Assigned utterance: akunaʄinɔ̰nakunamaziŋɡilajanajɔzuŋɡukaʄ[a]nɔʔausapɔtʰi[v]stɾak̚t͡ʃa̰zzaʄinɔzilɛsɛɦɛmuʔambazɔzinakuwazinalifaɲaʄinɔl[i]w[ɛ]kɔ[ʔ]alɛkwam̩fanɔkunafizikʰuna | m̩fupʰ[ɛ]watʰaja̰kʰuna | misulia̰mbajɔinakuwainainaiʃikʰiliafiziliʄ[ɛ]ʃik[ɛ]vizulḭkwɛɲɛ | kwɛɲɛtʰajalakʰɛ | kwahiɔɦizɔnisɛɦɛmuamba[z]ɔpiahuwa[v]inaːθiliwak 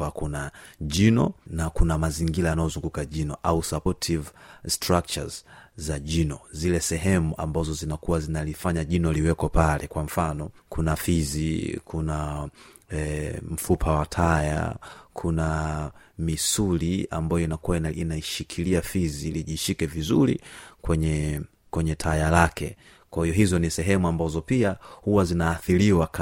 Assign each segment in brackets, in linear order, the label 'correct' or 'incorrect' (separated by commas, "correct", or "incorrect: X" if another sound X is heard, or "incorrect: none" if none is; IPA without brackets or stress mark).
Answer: incorrect: i, correct, correct, correct, incorrect: p, incorrect: a, incorrect: i, correct, correct, incorrect: z